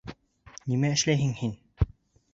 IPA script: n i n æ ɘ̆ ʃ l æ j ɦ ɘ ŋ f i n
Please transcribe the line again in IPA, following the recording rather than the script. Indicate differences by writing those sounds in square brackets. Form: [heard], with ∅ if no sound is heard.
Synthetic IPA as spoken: n i [m] æ ɘ̆ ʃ l æ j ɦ ɘ ŋ [h] i n